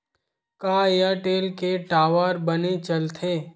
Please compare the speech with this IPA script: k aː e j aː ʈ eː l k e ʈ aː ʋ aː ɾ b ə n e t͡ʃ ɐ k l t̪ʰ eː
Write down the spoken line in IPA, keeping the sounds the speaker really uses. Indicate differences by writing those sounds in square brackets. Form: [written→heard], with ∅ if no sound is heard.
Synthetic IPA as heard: k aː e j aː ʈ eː l k e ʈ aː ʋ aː ɾ b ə n e t͡ʃ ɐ [k→∅] l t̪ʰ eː